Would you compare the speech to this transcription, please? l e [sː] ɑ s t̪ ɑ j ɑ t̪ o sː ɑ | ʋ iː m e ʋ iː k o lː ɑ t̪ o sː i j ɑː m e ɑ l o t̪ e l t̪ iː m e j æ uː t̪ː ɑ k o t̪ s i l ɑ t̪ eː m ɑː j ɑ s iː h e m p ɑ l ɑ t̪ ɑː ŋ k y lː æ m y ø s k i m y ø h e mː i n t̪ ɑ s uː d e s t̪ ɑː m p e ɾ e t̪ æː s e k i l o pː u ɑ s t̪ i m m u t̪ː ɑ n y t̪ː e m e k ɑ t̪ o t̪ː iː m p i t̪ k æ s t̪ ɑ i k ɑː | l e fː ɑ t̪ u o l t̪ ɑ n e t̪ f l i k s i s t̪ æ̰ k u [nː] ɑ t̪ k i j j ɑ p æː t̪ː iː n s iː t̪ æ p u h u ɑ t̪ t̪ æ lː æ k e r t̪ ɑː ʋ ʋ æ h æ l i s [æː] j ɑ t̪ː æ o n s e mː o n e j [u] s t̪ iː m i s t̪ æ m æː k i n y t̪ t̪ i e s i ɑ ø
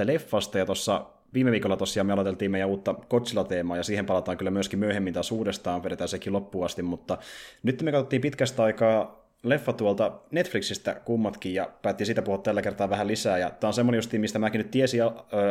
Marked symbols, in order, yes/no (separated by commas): no, no, yes, yes